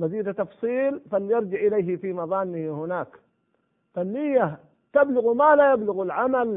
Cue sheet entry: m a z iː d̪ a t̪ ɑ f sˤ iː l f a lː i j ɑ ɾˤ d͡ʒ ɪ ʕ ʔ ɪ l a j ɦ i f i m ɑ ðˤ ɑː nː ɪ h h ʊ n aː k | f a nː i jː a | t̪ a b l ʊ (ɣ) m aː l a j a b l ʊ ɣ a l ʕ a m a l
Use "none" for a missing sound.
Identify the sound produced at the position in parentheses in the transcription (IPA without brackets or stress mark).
ɣ